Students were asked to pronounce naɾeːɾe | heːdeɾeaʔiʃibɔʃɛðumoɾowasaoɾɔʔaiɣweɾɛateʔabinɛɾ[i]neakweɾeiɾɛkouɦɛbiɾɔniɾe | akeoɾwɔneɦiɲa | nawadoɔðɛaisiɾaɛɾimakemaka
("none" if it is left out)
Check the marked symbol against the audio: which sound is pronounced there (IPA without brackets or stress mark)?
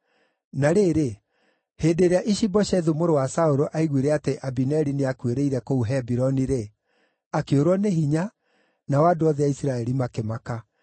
i